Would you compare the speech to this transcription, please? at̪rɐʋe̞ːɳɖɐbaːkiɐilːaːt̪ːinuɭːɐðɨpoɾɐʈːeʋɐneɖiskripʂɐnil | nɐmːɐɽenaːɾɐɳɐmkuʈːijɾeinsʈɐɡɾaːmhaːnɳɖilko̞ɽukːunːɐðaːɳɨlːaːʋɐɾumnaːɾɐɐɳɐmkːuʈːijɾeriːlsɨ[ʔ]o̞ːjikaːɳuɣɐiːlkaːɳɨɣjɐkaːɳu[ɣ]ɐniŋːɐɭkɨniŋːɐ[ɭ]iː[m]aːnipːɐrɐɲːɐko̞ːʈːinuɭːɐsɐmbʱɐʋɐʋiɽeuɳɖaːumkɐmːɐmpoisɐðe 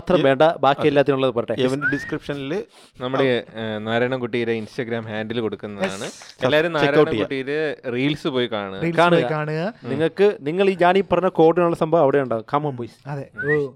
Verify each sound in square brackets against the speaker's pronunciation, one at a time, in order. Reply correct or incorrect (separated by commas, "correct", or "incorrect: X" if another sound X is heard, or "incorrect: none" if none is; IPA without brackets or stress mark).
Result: incorrect: p, correct, correct, incorrect: ɲ